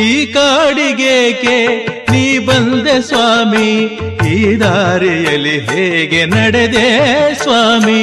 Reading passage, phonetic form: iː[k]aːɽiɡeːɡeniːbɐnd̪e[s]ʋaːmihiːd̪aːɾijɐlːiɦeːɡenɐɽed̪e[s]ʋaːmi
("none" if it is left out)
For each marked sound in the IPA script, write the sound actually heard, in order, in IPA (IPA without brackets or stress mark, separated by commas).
k, s, s